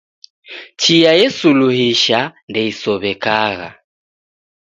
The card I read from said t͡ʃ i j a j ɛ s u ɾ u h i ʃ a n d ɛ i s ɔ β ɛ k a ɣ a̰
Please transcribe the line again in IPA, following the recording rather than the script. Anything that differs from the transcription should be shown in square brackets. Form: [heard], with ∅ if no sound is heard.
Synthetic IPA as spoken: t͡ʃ i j a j ɛ s u [l] u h i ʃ a n d ɛ i s ɔ β ɛ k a ɣ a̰